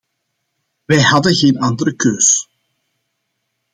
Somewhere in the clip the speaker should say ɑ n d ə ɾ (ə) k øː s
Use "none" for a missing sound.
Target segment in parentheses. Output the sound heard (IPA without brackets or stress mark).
ə